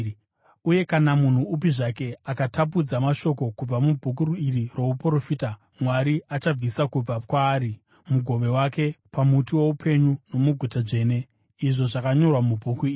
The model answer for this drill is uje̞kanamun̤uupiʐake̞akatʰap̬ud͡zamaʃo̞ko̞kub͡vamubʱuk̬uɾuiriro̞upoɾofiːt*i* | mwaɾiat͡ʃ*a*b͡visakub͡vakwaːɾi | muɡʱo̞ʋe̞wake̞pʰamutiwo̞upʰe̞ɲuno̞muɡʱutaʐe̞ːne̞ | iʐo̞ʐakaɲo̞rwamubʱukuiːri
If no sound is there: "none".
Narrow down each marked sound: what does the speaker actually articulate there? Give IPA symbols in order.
a, a

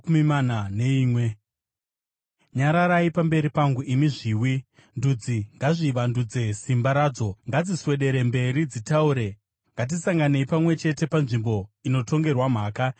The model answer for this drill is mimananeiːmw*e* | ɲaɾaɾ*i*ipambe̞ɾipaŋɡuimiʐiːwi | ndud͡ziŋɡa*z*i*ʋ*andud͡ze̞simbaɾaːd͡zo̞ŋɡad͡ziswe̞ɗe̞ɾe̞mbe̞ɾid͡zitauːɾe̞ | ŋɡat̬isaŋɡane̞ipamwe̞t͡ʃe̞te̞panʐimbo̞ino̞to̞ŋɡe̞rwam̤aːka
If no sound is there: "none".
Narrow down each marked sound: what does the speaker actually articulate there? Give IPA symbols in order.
e, a, ʐ, ʋ

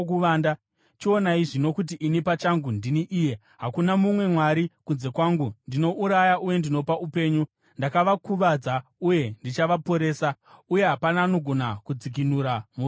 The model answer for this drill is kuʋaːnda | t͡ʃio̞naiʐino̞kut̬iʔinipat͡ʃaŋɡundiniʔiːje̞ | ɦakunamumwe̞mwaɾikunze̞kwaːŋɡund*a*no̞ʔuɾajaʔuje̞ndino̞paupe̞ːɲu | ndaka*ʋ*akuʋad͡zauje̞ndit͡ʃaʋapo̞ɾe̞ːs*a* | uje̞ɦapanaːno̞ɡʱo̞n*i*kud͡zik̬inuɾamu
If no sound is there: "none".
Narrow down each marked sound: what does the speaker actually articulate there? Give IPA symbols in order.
i, ʋ, a, a

